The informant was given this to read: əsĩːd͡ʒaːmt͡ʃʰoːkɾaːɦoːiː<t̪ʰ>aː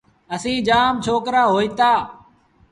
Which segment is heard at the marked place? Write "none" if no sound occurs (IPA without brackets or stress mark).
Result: t̪